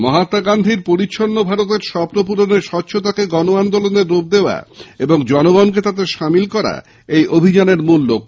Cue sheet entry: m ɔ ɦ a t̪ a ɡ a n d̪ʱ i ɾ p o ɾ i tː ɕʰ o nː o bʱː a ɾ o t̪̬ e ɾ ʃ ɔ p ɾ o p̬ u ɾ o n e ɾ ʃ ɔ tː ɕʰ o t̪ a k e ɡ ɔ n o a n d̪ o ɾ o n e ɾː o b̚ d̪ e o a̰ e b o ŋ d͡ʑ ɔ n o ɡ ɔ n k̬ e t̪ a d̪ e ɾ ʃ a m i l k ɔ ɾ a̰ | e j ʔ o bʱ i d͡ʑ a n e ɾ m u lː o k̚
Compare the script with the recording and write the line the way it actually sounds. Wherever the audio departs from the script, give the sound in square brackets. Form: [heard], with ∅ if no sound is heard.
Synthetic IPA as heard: m ɔ ɦ a t̪ a ɡ a n d̪ʱ i ɾ p o ɾ i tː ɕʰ o nː o [bʱ] a ɾ o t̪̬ e ɾ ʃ ɔ p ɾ o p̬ u ɾ o n e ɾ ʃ ɔ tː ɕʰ o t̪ a k e ɡ ɔ n o a n d̪ o [l] o n e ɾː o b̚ d̪ e o a̰ e b o ŋ d͡ʑ ɔ n o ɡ ɔ n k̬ e t̪ a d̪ e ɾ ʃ a m i l k ɔ ɾ a̰ | e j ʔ o bʱ i d͡ʑ a n e ɾ m u lː o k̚